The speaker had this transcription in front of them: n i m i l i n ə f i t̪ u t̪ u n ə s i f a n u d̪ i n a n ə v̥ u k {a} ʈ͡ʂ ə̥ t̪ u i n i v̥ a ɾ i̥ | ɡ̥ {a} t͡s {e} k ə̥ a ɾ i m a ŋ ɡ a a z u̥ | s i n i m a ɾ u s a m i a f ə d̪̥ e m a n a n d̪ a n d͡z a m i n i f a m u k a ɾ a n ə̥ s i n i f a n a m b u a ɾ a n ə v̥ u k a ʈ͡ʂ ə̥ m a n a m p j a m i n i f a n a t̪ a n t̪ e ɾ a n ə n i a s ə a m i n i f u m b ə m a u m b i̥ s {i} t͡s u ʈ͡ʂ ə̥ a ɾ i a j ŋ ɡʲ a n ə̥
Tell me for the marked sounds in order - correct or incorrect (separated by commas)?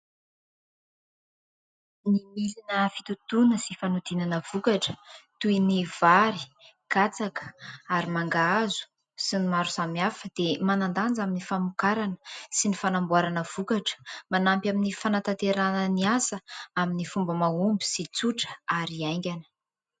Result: correct, correct, incorrect, correct